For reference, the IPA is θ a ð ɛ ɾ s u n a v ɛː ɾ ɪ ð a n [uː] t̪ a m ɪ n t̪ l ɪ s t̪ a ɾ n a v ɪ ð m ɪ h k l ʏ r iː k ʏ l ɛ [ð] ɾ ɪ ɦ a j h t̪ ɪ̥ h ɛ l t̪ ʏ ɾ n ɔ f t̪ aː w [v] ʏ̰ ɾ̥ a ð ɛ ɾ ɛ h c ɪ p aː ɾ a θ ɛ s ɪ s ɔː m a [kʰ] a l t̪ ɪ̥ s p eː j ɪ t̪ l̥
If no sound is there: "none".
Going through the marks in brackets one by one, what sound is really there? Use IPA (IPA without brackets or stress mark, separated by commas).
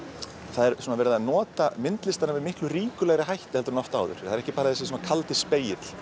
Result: ɔː, ɣ, ð, kʰ